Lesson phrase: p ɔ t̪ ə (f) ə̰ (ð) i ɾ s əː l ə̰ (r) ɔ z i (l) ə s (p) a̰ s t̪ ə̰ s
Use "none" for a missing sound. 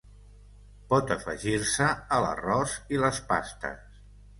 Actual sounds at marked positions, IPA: f, ʒ, r, l, p

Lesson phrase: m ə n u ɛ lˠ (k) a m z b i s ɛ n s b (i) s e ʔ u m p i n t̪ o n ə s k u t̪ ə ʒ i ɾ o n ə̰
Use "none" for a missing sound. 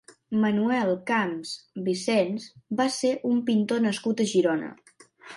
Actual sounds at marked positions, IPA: k, a

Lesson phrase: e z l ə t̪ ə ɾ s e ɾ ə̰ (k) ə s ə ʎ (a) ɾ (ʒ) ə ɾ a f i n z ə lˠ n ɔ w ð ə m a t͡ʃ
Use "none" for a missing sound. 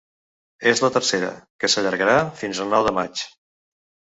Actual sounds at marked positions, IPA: k, ə, ɣ

